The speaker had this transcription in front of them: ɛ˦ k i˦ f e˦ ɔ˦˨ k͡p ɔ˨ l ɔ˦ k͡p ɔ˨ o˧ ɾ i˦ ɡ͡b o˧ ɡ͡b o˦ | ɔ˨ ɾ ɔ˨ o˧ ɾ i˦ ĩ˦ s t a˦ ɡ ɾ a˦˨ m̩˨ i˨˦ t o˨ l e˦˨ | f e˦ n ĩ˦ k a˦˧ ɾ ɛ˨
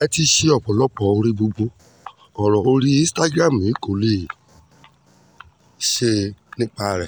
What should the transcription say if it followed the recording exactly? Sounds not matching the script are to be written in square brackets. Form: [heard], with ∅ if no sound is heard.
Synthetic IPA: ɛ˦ [t] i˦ [ʃ] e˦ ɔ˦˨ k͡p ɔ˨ l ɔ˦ k͡p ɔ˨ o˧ ɾ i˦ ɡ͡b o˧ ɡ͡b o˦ | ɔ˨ ɾ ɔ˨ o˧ ɾ i˦ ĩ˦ s t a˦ ɡ ɾ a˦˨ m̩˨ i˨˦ [k] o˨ l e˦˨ | [ʃ] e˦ n ĩ˦ [k͡p] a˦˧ ɾ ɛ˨

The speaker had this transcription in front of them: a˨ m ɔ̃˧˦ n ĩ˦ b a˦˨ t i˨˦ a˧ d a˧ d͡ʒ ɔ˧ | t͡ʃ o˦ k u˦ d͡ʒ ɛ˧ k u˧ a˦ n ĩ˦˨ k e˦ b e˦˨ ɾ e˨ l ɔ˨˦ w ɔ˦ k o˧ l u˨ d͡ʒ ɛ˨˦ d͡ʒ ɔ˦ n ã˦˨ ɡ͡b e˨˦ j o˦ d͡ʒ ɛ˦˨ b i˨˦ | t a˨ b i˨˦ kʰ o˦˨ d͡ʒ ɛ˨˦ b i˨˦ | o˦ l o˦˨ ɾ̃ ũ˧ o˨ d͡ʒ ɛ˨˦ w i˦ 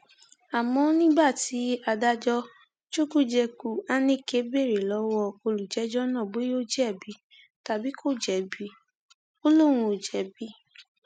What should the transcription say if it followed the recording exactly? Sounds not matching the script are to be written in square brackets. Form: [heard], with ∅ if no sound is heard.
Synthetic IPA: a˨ m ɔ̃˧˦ n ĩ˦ b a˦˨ t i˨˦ a˧ d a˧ d͡ʒ ɔ˧ | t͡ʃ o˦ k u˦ d͡ʒ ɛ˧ k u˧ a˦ n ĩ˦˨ k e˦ b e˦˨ ɾ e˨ l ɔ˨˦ w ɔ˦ k o˧ l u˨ d͡ʒ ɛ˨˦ d͡ʒ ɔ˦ n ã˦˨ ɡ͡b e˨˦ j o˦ d͡ʒ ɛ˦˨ b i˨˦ | t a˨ b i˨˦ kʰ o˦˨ d͡ʒ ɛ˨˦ b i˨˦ | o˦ l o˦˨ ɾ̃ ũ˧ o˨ d͡ʒ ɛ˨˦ [b] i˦

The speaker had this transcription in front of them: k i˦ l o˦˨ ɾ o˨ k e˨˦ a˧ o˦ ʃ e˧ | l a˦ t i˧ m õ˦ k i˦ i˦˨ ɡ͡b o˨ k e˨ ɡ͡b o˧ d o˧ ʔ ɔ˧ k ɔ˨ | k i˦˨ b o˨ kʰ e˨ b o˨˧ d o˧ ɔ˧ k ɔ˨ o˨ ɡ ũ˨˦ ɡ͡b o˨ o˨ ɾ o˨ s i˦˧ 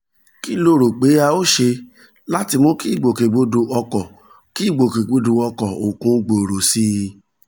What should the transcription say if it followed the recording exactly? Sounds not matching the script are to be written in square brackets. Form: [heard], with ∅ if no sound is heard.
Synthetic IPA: k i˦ l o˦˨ ɾ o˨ [k͡p] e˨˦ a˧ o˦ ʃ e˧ | l a˦ t i˧ m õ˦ k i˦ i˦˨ ɡ͡b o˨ k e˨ ɡ͡b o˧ d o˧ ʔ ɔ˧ k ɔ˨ | k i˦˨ [ɡ͡b] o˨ [k] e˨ [ɡ͡b] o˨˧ d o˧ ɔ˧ k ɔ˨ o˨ [k] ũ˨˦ ɡ͡b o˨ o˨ ɾ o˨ s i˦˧

